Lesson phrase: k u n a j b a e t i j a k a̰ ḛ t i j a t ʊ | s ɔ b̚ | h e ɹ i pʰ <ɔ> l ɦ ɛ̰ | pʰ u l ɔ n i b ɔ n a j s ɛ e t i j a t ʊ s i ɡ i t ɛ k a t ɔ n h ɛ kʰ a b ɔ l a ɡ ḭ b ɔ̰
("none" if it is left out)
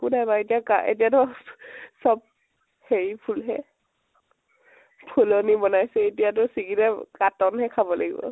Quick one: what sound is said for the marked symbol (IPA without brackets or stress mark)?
u